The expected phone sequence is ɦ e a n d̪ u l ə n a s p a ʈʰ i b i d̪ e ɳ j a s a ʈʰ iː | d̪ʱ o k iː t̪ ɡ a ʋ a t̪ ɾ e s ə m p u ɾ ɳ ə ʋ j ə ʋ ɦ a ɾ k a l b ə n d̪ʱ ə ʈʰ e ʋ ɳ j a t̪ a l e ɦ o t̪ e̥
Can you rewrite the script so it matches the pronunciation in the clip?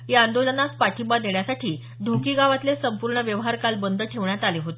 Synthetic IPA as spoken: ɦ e a n d̪ o l ə n a s p a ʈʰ i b a d̪ e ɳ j a s a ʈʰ iː | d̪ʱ o k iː ɡ a ʋ a t̪ l e s ə m p u ɾ ɳ ə ʋ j ə ʋ ɦ a ɾ k a l b ə n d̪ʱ ə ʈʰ e ʋ ɳ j a t̪ a l e ɦ o t̪ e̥